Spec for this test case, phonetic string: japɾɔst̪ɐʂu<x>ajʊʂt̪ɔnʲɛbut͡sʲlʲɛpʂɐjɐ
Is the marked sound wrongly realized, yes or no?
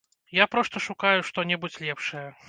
yes